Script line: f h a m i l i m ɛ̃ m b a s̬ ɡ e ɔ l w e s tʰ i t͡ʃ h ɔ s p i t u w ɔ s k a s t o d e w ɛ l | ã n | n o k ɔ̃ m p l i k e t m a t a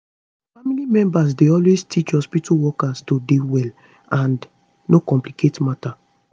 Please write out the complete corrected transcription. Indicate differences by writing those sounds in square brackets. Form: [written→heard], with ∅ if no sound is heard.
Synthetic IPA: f [h→f] a m i l i m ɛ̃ m b a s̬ [ɡ→d] e ɔ l w e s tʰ i t͡ʃ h ɔ s p i t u w ɔ [s→∅] k a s t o d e w ɛ l | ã n | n o k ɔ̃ m p l i k e t m a t a